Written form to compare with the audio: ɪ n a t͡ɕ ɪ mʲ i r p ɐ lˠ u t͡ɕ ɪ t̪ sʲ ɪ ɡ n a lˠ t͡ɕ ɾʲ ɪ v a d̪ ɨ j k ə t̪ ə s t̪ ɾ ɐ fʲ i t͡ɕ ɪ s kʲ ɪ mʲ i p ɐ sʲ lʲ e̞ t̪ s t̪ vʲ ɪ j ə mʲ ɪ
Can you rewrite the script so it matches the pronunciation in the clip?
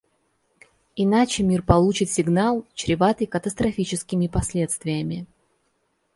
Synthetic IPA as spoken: ɪ n a t͡ɕ ɪ mʲ i r p ɐ lˠ u t͡ɕ ɪ t̪ sʲ ɪ ɡ n a lˠ t͡ɕ ɾʲ ɪ v a t̪ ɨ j k ə t̪ ə s t̪ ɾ ɐ fʲ i t͡ɕ ɪ s kʲ ɪ mʲ ɪ p ɐ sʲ lʲ e̞ t̪ s t̪ vʲ ɪ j ə mʲ ɪ